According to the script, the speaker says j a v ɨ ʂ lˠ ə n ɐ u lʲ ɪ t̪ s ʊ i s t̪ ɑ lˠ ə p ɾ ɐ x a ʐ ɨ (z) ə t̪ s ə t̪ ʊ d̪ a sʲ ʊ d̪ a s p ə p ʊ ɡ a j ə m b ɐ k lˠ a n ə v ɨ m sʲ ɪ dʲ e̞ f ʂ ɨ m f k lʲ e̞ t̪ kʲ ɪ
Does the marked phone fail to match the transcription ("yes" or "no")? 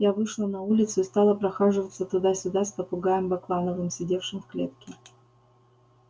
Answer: yes